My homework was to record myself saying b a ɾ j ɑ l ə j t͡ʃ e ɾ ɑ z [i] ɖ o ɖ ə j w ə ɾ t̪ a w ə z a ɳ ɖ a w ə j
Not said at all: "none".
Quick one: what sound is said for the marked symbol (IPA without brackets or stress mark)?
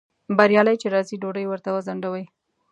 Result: i